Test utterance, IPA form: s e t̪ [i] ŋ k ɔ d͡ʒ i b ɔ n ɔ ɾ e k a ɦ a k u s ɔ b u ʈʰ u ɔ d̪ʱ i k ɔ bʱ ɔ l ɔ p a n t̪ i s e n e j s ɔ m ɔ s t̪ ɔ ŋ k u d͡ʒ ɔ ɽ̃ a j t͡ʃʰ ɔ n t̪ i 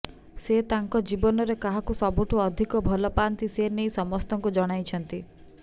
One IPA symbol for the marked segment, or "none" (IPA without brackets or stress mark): a